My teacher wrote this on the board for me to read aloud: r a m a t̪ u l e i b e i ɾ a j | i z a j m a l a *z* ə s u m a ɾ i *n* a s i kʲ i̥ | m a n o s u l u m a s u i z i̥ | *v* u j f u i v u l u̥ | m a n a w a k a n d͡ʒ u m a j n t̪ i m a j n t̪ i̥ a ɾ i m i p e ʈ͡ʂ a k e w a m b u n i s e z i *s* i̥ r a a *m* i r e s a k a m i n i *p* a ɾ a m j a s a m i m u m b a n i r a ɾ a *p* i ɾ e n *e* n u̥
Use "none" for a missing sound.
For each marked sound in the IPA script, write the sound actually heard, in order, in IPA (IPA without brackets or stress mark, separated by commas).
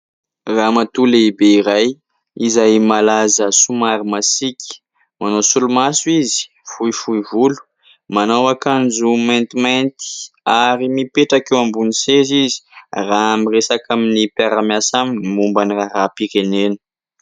z, m, f, z, m, p, p, e